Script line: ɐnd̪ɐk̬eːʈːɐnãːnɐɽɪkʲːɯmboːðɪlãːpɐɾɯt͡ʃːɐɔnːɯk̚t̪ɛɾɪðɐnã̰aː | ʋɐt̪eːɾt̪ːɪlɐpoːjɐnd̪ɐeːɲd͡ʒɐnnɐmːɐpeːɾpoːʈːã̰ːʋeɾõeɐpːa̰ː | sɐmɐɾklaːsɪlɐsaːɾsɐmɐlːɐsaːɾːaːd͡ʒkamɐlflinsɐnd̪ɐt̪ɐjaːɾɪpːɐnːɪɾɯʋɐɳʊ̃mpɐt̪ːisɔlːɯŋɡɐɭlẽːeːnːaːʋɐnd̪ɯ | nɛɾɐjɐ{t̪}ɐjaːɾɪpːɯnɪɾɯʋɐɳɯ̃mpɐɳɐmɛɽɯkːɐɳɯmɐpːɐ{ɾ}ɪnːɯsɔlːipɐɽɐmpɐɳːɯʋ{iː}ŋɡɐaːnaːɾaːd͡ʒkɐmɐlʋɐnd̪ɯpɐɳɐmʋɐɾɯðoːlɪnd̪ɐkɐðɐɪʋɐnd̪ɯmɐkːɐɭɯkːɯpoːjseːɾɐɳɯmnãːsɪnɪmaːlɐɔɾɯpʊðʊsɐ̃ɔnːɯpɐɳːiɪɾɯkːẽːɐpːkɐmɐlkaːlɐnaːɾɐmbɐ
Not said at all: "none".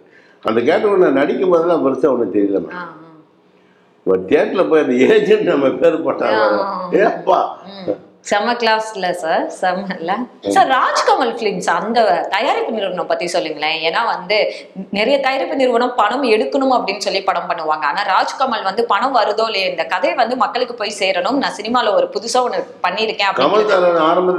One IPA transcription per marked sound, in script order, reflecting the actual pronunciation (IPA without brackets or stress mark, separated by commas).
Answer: t̪, ɽ, aː